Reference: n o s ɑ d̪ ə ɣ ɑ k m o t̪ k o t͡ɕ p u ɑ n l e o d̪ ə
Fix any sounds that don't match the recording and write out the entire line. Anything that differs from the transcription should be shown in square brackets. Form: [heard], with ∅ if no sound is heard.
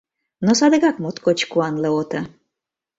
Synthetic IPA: n o s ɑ d̪ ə ɣ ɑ k m o t̪ k o t͡ɕ [k] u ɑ n l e o [t̪] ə